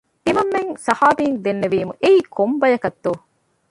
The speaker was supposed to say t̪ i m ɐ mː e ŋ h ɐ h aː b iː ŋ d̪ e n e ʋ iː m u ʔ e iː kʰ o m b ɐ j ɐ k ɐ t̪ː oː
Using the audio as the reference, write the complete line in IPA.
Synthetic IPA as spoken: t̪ i m ɐ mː e ŋ s ɐ h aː b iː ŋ d̪ e nː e ʋ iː m u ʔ e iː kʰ o m b ɐ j ɐ k ɐ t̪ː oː